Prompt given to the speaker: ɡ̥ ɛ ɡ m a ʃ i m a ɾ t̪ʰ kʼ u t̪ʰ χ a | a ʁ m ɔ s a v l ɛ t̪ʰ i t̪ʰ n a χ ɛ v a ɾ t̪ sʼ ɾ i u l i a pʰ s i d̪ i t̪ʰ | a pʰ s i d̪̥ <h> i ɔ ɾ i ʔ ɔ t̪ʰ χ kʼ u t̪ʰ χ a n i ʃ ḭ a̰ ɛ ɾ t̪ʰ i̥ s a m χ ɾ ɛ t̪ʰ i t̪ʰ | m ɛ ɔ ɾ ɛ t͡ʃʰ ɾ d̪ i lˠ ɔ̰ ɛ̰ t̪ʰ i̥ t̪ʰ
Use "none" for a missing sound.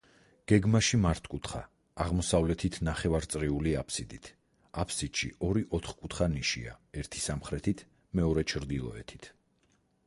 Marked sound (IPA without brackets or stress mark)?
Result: ʃ